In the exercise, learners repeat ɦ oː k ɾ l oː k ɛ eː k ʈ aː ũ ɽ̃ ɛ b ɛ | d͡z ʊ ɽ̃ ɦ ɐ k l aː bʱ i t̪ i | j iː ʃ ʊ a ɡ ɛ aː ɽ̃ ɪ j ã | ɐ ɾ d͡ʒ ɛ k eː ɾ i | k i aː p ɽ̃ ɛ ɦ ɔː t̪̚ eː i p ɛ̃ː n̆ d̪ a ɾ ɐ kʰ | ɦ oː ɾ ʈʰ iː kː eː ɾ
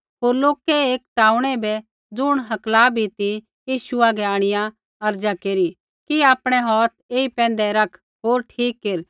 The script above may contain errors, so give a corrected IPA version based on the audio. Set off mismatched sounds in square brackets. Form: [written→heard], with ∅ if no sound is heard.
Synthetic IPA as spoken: ɦ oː [k→∅] ɾ l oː k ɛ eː k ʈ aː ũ ɽ̃ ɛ b ɛ | d͡z ʊ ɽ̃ ɦ ɐ k l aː bʱ i t̪ i | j iː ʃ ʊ a ɡ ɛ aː ɽ̃ ɪ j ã | ɐ ɾ d͡ʒ [ɛ→a] k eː ɾ i | k i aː p ɽ̃ ɛ ɦ ɔː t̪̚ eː i p ɛ̃ː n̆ d̪ [a→ɛ] ɾ ɐ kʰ | ɦ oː ɾ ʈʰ iː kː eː ɾ

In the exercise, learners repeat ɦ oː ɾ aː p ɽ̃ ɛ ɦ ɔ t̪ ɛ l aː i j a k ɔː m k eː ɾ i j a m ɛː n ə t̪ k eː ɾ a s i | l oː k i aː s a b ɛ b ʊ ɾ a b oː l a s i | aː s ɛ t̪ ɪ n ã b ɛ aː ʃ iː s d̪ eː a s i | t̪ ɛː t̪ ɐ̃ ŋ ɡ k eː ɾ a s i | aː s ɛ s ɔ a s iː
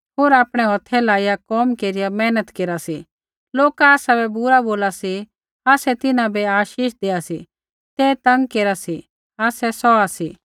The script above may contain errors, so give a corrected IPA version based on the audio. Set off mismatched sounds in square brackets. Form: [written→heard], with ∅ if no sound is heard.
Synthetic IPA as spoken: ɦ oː ɾ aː p ɽ̃ ɛ ɦ ɔ [t̪→t̪ʰ] ɛ l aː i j a k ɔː m k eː ɾ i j a m ɛː n ə t̪ k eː ɾ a s i | l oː k [i→a] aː s a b ɛ b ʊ ɾ a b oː l a s i | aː s ɛ t̪ ɪ n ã b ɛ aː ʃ iː [s→ʃ] d̪ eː a s i | t̪ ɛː t̪ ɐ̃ ŋ ɡ k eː ɾ a s i | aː s ɛ s ɔ a s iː

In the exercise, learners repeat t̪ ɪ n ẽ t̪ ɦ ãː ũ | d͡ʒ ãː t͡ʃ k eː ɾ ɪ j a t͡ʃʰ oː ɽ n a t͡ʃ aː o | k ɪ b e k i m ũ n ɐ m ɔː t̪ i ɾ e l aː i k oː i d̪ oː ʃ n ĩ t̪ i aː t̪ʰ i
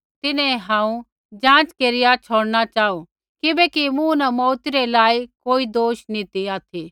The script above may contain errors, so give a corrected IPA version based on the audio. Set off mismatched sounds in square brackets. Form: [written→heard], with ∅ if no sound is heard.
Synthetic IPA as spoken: t̪ ɪ n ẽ [t̪→∅] ɦ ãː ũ | d͡ʒ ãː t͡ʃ k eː ɾ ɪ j a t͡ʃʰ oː ɽ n a t͡ʃ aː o | k ɪ b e k i m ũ n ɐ m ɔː t̪ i ɾ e l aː i k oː i d̪ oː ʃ n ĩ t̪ i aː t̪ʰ i

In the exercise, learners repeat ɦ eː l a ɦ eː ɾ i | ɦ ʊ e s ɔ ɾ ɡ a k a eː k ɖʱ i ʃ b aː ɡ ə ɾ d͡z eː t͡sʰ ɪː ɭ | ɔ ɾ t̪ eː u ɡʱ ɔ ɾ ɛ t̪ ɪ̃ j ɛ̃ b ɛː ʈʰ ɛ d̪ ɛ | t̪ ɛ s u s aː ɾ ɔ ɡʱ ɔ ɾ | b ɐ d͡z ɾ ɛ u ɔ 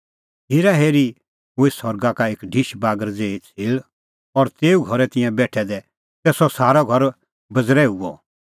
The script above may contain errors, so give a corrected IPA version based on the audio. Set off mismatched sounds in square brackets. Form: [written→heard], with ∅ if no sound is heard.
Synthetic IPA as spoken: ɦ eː [l→ɾ] a ɦ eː ɾ i | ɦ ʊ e s ɔ ɾ ɡ a k a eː k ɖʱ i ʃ b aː ɡ ə ɾ d͡z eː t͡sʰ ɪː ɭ | ɔ ɾ t̪ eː u ɡʱ ɔ ɾ ɛ t̪ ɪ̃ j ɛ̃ b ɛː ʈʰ ɛ d̪ ɛ | t̪ ɛ s [u→ɔ] s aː ɾ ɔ ɡʱ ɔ ɾ | b ɐ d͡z ɾ ɛ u ɔ

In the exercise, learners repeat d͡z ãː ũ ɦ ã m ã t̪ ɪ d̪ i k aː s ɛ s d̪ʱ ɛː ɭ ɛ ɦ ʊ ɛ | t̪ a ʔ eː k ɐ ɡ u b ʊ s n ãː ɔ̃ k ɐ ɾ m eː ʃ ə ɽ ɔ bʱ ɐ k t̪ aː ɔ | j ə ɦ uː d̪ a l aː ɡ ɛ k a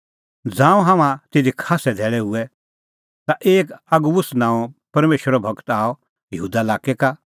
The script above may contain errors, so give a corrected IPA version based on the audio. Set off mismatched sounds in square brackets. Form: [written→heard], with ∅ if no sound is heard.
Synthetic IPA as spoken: d͡z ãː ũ ɦ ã m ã t̪ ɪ d̪ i [k→kʰ] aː s ɛ [s→∅] d̪ʱ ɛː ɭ ɛ ɦ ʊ ɛ | t̪ a ʔ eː k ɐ ɡ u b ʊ s n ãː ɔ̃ [k→p] ɐ ɾ m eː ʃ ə [ɽ→ɾ] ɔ bʱ ɐ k t̪ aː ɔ | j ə ɦ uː d̪ a l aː [ɡ→k] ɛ k a

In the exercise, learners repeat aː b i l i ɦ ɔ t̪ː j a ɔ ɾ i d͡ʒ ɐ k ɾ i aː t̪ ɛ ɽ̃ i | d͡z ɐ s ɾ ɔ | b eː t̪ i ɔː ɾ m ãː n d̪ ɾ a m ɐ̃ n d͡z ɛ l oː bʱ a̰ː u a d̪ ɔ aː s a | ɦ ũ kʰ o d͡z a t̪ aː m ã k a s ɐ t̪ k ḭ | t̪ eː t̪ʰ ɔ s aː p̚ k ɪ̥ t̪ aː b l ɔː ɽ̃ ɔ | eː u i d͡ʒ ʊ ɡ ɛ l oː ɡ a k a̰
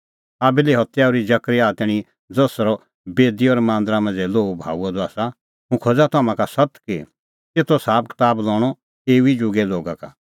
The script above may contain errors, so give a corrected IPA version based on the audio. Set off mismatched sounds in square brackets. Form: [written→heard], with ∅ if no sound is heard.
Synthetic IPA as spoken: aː b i l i ɦ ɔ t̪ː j a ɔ ɾ i d͡ʒ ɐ k ɾ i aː t̪ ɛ ɽ̃ i | d͡z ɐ s ɾ ɔ | b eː [t̪→d̪] i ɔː ɾ m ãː n d̪ ɾ a m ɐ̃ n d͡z ɛ l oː bʱ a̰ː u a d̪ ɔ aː s a | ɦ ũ kʰ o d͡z a t̪ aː m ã k a s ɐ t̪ k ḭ | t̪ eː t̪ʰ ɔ s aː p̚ k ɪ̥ t̪ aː b l ɔː ɽ̃ ɔ | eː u i d͡ʒ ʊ ɡ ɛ l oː ɡ a k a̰

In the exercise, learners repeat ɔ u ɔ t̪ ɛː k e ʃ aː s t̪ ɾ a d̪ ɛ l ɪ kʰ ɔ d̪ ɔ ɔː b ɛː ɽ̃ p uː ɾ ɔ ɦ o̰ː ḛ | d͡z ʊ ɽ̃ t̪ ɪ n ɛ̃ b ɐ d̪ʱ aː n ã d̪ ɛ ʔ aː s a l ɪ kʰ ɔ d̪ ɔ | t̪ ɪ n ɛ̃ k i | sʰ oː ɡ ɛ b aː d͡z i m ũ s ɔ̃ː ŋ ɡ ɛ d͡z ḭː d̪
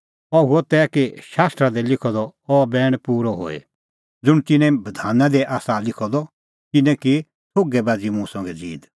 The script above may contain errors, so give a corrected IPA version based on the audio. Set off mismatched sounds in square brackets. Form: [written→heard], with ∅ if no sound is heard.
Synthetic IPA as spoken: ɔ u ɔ t̪ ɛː k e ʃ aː s t̪ ɾ a d̪ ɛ l ɪ kʰ ɔ d̪ ɔ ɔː b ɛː ɽ̃ p uː ɾ ɔ ɦ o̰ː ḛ | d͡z ʊ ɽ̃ t̪ ɪ n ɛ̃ b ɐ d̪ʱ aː n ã d̪ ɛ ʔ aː s a l ɪ kʰ ɔ d̪ ɔ | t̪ ɪ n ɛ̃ k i | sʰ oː ɡ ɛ b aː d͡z i m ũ s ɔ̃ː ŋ ɡ ɛ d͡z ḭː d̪

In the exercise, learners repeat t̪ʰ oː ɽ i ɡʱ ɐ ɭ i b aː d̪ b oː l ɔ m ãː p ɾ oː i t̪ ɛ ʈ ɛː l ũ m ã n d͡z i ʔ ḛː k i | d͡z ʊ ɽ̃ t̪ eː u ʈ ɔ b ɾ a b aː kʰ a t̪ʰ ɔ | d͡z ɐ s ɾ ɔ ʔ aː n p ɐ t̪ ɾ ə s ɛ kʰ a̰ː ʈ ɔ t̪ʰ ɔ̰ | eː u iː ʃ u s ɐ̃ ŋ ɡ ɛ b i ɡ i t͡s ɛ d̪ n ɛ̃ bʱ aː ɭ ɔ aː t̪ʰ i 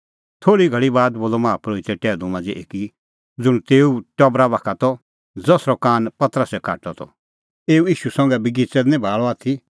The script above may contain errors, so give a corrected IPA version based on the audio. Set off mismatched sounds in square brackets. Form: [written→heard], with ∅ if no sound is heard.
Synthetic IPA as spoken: t̪ʰ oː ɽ i ɡʱ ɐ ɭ i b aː d̪ b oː l ɔ m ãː p ɾ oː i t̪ ɛ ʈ ɛː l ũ m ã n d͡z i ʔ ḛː k i | d͡z ʊ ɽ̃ t̪ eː u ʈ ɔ b ɾ a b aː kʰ a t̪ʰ ɔ | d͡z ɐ s ɾ ɔ [ʔ→k] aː n p ɐ t̪ ɾ ə s ɛ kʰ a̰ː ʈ ɔ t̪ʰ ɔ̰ | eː u iː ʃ u s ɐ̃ ŋ ɡ ɛ b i ɡ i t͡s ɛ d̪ n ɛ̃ bʱ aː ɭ ɔ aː t̪ʰ i

